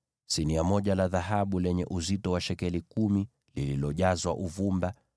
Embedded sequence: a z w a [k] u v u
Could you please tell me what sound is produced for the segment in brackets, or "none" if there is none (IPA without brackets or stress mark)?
ʔ